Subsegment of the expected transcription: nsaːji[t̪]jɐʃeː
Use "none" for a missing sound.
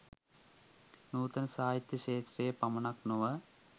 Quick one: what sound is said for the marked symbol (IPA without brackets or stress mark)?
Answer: t̪